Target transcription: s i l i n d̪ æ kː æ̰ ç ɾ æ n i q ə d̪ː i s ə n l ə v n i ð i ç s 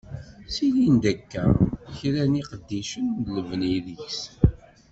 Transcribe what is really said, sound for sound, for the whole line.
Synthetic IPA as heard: s i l i n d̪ æ kː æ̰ ç ɾ æ n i q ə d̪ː i ʃ ə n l ə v n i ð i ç s